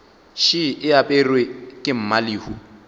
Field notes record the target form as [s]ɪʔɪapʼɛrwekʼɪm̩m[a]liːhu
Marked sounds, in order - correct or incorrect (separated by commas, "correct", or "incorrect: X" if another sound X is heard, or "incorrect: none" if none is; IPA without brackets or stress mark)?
incorrect: ʃ, correct